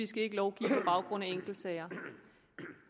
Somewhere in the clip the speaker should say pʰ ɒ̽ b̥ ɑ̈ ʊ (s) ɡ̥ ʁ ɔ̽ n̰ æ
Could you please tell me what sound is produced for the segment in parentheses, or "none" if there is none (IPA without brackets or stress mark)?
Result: none